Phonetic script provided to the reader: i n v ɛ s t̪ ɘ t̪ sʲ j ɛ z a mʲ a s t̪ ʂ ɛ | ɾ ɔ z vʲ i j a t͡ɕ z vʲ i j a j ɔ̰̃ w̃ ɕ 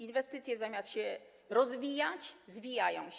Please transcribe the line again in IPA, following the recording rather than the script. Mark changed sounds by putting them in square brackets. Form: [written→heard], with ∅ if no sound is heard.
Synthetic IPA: i n v ɛ s t̪ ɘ t̪ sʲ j ɛ z a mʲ a s t̪ [ʂ→ɕ] ɛ | ɾ ɔ z vʲ i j a t͡ɕ z vʲ i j a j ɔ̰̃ w̃ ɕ